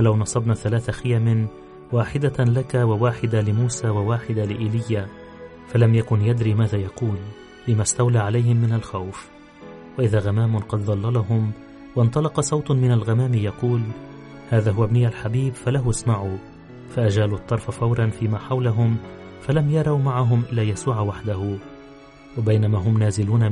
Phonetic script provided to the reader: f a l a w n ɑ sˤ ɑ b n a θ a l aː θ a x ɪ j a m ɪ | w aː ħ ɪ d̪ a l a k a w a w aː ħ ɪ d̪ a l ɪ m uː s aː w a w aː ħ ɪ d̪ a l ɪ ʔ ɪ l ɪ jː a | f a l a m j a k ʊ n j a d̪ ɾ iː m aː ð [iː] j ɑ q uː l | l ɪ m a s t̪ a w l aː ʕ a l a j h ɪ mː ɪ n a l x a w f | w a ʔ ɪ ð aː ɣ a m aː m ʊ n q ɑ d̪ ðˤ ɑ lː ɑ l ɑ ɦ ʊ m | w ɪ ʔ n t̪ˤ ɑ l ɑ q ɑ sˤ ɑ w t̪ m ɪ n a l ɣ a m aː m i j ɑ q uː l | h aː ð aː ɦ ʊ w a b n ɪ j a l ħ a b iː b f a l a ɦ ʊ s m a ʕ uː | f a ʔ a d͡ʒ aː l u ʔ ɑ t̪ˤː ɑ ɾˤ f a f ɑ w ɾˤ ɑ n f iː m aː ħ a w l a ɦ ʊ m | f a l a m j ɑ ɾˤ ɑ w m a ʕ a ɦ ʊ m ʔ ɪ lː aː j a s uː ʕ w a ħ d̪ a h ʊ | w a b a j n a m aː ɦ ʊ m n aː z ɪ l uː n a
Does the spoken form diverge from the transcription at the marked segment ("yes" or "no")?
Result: yes